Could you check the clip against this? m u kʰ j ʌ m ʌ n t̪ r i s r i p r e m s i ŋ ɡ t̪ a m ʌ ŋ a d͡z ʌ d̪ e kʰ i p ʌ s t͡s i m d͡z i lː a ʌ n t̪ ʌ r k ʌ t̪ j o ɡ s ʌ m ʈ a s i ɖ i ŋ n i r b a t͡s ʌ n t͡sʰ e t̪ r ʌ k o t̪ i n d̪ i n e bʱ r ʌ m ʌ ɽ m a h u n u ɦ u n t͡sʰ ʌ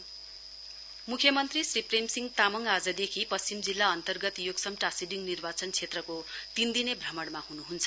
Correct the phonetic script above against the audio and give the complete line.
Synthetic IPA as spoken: m u kʰ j ʌ m ʌ n t̪ r i s r i p r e m s i ŋ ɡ t̪ a m ʌ ŋ a d͡z ʌ d̪ e kʰ i p ʌ s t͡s i m d͡z i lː a ʌ n t̪ ʌ r ɡ ʌ t̪ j o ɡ s ʌ m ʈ a s i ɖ i ŋ n i r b a t͡s ʌ n t͡sʰ e t̪ r ʌ k o t̪ i n d̪ i n e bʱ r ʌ m ʌ ɽ m a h u n u ɦ u n t͡sʰ ʌ